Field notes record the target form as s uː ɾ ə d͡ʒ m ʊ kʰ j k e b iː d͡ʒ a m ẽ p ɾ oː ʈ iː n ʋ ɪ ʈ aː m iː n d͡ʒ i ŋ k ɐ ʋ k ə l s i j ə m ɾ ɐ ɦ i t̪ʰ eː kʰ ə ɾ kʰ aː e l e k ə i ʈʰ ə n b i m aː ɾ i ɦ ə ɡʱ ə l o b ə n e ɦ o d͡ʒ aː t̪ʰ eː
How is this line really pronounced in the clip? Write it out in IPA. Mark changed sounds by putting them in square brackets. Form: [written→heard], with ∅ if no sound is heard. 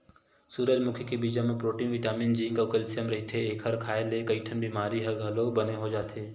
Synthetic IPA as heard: s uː ɾ ə d͡ʒ m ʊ kʰ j k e b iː d͡ʒ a m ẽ p ɾ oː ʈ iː n ʋ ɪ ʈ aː m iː n d͡ʒ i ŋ k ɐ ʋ k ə l s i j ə m ɾ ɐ ɦ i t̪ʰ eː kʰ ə ɾ kʰ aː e l e k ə i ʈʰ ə n b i m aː ɾ i ɦ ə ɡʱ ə l o b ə n e ɦ o d͡ʒ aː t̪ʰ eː